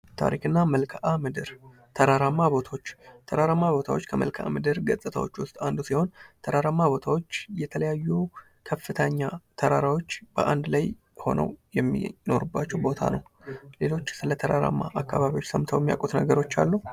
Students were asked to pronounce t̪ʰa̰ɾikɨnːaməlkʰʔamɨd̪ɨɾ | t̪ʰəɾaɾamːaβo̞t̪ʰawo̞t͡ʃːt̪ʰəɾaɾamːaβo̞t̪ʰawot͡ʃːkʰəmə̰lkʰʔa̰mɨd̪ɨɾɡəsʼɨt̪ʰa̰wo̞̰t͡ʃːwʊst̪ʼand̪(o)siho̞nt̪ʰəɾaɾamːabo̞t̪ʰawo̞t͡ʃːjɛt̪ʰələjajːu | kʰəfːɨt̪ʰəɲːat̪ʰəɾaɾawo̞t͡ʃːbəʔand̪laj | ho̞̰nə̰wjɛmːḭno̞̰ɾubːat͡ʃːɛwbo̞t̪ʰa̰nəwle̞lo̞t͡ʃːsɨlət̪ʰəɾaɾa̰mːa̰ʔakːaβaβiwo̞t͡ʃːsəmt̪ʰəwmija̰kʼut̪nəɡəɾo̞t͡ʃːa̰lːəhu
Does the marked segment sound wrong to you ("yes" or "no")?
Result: yes